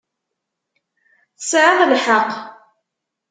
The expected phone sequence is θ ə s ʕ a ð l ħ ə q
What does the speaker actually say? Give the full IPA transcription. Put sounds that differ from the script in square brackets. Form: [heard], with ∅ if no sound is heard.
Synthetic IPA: θ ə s ʕ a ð l ħ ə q